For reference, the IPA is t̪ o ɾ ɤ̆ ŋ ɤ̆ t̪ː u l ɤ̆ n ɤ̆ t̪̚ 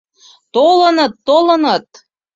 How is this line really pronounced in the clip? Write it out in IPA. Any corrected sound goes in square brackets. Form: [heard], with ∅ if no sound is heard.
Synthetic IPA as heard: t̪ o [l] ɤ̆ [n] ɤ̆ t̪ː [o] l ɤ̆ n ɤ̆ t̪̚

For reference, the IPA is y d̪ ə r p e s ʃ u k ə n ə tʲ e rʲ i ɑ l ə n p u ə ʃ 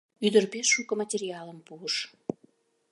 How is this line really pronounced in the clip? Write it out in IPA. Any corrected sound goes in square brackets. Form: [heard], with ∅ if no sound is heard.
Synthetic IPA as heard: y d̪ ə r p e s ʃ u k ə [m] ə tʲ e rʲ i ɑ l ə [m] p u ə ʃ

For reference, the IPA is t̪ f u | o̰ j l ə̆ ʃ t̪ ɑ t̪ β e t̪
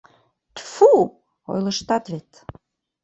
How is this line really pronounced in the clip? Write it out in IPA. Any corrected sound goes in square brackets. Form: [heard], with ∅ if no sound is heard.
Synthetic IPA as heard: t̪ f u | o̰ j l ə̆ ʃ t̪ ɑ t̪ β e t̪

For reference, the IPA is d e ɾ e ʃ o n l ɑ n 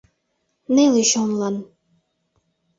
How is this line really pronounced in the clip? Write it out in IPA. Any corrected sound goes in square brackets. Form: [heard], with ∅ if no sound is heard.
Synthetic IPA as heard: [n] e [l] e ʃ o n l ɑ n

